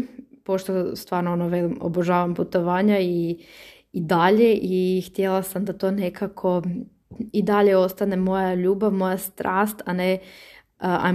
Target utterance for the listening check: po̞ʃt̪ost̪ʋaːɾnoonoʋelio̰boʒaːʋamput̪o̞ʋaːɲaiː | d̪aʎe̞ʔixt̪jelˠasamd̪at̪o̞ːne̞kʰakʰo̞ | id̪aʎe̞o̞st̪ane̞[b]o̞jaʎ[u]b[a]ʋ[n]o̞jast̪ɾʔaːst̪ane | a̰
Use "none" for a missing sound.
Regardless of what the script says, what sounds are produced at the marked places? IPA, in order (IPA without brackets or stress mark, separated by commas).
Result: m, uː, a, m